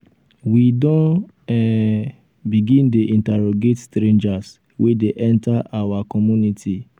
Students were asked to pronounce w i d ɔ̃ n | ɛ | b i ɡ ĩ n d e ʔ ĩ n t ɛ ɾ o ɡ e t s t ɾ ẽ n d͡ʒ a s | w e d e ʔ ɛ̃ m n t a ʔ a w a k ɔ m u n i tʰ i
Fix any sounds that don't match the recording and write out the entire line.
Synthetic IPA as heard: w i d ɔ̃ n | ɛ | b i ɡ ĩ n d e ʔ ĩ n t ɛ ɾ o ɡ e t s t ɾ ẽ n d͡ʒ a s | w e d e ʔ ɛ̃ n t a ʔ a w a k ɔ m u n i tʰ i